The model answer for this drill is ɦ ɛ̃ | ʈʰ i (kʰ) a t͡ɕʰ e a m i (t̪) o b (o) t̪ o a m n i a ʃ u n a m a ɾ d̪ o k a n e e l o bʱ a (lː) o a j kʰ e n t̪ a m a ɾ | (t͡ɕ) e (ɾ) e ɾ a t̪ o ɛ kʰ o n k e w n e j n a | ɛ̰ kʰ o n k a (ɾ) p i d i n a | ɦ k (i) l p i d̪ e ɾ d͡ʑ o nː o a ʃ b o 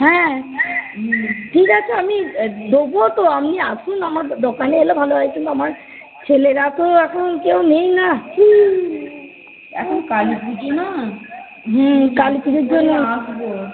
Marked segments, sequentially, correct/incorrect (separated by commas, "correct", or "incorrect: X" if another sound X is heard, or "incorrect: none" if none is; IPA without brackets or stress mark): incorrect: k, incorrect: d̪, correct, incorrect: l, incorrect: t͡ɕʰ, incorrect: l, incorrect: l, incorrect: a